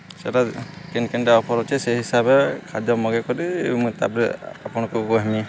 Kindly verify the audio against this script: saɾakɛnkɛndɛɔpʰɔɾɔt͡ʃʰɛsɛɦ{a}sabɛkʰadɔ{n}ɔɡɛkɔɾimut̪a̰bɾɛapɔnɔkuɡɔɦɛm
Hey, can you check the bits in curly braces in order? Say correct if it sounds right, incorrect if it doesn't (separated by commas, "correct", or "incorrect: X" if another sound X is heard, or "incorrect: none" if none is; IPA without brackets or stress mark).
incorrect: i, incorrect: m